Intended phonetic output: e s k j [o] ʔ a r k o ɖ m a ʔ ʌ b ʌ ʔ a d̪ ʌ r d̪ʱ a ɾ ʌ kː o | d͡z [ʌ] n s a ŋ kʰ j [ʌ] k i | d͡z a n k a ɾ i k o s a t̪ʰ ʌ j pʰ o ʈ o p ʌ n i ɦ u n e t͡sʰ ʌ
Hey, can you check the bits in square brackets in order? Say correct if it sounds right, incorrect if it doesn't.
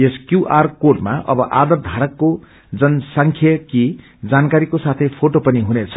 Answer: incorrect: u, correct, correct

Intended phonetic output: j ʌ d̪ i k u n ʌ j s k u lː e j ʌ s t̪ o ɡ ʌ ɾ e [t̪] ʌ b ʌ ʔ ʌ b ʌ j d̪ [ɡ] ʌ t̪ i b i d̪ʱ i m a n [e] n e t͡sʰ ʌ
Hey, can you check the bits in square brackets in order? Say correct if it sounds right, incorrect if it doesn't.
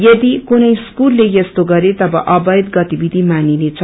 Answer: correct, correct, incorrect: i

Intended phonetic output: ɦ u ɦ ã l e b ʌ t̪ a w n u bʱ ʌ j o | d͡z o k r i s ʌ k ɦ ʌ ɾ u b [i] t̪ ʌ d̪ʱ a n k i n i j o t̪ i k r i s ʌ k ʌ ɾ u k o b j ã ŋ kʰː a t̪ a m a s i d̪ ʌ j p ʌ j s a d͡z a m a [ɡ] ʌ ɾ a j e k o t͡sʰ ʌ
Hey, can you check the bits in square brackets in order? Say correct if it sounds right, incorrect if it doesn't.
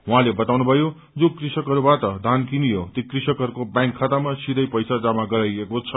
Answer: incorrect: a, correct

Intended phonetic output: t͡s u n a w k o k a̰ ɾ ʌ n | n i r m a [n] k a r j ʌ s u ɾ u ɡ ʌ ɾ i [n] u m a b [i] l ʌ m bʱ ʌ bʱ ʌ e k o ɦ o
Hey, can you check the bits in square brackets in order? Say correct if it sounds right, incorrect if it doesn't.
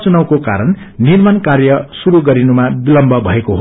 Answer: correct, correct, correct

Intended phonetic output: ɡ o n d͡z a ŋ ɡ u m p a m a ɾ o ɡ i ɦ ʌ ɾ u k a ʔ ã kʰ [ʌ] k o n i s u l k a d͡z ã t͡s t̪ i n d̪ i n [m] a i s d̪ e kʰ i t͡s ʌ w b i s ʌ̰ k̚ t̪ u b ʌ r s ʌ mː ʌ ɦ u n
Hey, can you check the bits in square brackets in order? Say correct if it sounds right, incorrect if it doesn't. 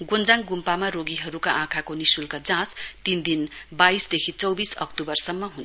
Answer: incorrect: a, incorrect: b

